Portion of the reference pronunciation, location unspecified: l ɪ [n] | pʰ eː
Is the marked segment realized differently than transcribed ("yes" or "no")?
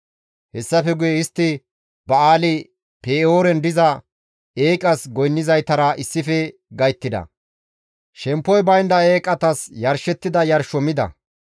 yes